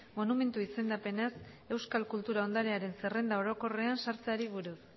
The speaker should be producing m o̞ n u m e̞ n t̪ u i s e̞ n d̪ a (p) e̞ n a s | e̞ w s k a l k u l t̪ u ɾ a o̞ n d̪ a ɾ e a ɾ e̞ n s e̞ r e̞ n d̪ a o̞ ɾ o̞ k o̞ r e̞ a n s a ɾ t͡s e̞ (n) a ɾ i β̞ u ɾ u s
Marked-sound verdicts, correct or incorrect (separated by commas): correct, incorrect